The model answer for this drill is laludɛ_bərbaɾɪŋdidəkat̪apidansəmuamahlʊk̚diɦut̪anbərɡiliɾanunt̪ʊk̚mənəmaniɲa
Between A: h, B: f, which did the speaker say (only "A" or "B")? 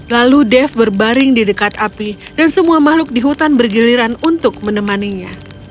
B